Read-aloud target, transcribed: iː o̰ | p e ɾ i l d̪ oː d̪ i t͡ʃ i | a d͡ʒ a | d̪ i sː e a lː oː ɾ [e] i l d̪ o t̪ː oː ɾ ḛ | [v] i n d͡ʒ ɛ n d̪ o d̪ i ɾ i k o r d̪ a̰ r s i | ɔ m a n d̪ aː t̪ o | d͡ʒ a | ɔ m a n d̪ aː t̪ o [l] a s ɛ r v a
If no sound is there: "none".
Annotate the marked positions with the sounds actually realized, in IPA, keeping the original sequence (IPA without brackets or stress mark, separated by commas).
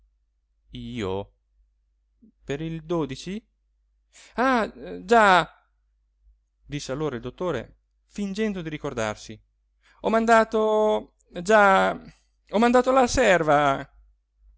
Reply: a, f, l